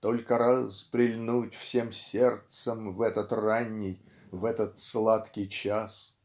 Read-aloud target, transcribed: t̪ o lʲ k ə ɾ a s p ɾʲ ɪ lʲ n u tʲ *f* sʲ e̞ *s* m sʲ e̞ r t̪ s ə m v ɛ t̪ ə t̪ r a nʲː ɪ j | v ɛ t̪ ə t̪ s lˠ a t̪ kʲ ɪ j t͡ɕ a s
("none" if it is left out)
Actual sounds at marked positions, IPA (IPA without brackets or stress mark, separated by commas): f, none